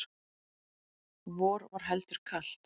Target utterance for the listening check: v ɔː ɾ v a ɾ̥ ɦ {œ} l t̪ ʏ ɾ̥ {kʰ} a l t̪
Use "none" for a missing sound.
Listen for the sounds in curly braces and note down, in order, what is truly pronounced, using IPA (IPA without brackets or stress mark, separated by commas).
ɛ, kʰ